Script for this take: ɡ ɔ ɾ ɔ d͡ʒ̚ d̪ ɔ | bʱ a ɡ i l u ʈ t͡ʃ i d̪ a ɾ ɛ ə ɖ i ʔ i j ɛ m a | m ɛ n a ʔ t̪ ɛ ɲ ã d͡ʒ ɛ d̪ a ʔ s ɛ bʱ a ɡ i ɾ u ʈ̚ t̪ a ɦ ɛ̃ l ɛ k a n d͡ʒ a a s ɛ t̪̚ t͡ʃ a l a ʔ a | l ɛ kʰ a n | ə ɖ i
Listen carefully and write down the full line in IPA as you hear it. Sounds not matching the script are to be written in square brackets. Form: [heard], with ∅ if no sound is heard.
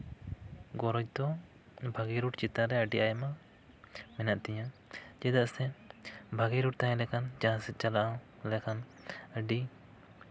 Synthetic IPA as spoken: ɡ ɔ ɾ ɔ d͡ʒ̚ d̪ ɔ | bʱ a ɡ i [ɾ] u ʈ t͡ʃ i [t̪] a ɾ ɛ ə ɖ i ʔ [a] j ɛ m a | m ɛ n a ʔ t̪ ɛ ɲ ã d͡ʒ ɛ d̪ a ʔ s ɛ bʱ a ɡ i ɾ u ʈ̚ t̪ a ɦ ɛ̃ l ɛ k a n d͡ʒ a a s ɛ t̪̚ t͡ʃ a l a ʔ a | l ɛ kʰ a n | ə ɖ i